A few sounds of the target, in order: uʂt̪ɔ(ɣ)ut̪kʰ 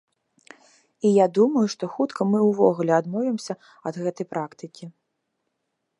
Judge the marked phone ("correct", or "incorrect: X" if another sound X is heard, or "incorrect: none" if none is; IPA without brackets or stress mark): incorrect: x